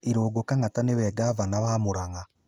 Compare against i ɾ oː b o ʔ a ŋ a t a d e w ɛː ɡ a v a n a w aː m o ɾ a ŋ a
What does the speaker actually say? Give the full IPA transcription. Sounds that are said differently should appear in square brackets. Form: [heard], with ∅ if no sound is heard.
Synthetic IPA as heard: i ɾ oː [ɡ] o [k] a ŋ a t a [n] e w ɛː ɡ a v a n a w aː m o ɾ a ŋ a